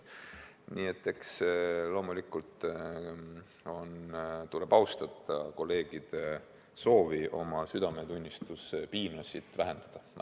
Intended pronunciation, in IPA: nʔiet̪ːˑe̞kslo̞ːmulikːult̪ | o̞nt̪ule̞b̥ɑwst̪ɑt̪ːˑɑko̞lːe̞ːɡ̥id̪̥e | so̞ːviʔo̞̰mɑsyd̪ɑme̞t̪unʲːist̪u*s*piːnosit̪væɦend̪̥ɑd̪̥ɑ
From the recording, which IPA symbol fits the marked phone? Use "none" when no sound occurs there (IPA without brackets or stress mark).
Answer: s